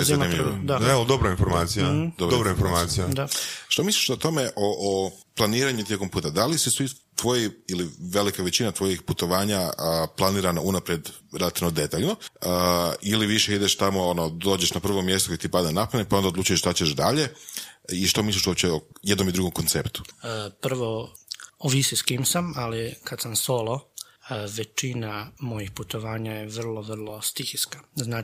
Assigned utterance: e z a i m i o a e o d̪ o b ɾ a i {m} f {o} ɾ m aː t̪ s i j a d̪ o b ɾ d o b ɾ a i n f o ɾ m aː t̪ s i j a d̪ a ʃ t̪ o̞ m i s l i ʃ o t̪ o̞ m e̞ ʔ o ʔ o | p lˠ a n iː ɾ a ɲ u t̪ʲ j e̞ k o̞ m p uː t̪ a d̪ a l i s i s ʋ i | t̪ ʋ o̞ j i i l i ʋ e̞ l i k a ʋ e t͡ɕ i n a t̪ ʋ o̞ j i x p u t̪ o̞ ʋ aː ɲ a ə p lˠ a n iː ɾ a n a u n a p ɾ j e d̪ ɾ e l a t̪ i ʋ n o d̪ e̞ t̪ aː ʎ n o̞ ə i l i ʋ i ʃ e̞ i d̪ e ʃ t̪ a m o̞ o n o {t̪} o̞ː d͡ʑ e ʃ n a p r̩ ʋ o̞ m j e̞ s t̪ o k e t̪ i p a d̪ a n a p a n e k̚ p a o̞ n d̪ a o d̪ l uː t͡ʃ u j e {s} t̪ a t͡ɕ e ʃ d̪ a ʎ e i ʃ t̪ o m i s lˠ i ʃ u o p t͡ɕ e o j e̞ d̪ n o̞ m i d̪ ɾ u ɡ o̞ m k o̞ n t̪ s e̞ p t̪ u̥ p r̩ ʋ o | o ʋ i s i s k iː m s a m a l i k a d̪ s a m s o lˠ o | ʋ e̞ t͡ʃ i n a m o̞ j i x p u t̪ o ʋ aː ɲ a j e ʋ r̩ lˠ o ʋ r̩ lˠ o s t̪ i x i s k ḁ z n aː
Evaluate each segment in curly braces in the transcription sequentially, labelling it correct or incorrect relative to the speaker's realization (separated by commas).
incorrect, correct, incorrect, incorrect